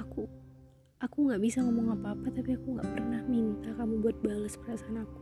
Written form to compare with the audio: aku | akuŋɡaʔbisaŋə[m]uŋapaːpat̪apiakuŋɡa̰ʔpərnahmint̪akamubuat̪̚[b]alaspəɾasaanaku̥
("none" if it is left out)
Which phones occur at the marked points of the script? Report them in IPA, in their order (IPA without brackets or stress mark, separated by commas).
m, b